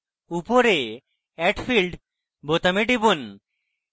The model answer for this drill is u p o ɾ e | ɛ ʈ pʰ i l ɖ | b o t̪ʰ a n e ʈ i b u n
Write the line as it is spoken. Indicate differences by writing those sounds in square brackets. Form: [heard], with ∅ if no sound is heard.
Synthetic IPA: u p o ɾ e | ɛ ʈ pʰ i l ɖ | b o [t̪] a [m] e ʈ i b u n